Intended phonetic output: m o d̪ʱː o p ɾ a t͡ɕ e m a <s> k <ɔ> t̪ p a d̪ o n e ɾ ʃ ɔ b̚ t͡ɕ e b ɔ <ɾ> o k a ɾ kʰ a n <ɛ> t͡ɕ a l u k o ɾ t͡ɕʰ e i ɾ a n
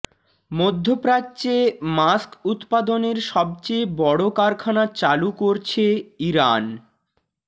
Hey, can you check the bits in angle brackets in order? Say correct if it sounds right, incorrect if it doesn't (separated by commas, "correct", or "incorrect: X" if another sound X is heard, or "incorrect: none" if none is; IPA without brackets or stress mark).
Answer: correct, incorrect: u, incorrect: ɽ, incorrect: a